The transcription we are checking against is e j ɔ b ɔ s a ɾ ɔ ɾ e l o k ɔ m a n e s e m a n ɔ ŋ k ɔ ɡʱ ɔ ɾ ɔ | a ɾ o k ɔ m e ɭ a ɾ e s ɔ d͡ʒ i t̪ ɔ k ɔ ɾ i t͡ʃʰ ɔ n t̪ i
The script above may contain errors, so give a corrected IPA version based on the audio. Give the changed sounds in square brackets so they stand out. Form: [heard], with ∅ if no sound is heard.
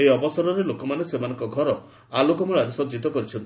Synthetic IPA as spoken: e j ɔ b ɔ s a ɾ ɔ ɾ e l o k ɔ m a n e s e m a n ɔ ŋ k ɔ ɡʱ ɔ ɾ ɔ | a [l] o k ɔ m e ɭ a ɾ e s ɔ d͡ʒ i t̪ ɔ k ɔ ɾ i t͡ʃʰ ɔ n t̪ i